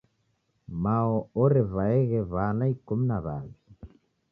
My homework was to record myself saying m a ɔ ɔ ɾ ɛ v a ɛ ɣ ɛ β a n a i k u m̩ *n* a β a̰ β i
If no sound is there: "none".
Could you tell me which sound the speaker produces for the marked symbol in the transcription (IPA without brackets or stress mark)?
n